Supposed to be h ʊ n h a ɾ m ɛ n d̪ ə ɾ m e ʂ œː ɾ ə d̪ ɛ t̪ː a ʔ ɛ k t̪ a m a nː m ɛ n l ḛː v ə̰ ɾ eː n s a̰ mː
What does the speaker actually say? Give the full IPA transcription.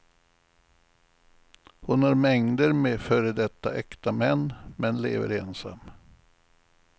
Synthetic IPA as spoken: h ʊ n h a ɾ m ɛ ŋ d̪ ə ɾ m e f œː ɾ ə d̪ ɛ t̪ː a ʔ ɛ k t̪ a m ɛ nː m ɛ n l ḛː v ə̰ ɾ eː n s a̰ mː